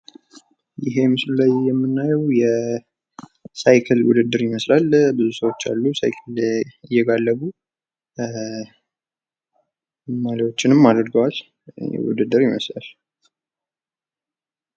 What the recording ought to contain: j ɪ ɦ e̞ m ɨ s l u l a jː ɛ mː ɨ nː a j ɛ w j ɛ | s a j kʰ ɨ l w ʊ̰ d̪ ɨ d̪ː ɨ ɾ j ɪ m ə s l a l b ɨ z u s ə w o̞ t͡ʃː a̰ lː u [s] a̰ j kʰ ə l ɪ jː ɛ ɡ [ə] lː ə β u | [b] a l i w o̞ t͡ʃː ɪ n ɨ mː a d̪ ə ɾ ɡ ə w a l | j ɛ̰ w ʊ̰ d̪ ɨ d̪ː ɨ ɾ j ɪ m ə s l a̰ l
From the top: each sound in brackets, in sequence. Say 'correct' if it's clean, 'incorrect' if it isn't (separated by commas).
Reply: correct, incorrect, incorrect